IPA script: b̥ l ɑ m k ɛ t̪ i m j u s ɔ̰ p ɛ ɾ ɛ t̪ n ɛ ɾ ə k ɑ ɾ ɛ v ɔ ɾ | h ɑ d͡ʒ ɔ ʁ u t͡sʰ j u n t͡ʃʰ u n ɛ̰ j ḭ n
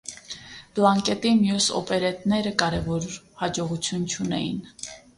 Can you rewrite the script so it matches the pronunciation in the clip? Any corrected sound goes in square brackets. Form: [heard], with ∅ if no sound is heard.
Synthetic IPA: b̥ l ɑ [ŋ] k ɛ t̪ i m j u s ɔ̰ p ɛ ɾ ɛ t̪ n ɛ ɾ ə k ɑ ɾ ɛ v ɔ ɾ | h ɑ d͡ʒ ɔ ʁ u t͡sʰ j u n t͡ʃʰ u n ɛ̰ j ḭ n